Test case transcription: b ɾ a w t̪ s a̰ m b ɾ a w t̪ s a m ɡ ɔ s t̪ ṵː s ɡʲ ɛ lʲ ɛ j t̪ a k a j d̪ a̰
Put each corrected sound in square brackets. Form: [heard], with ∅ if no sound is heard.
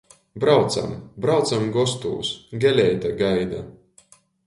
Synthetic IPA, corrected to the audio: b ɾ a w t̪ s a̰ m b ɾ a w t̪ s a m ɡ ɔ s t̪ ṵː s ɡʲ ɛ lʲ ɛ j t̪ a [ɡ] a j d̪ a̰